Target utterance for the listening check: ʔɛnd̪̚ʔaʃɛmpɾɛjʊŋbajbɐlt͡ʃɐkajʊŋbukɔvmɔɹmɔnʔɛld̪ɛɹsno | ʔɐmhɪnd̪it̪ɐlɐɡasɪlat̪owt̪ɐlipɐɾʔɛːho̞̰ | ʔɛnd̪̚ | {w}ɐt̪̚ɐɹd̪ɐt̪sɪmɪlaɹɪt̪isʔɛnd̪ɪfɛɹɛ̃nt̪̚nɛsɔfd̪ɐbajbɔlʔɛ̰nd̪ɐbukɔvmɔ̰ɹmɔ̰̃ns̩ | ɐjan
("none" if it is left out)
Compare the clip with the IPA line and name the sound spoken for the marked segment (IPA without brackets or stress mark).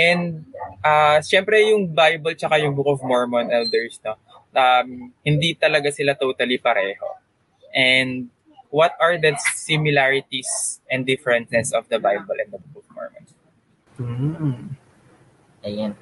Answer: w